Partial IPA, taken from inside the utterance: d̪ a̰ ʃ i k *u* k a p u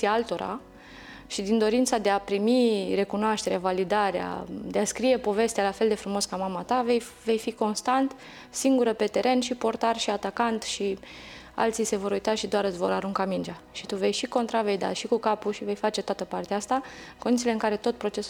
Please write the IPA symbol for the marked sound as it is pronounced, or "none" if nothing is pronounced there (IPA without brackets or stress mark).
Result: u